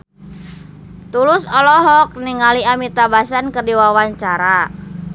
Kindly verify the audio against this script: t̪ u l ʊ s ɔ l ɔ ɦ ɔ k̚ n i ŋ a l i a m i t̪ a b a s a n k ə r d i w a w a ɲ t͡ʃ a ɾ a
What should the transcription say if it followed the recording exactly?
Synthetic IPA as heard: t̪ u l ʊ s ɔ l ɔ ɦ ɔ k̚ n i ŋ a l i a m i t̪ a b a s a n k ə r d i w a w a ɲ t͡ʃ a ɾ a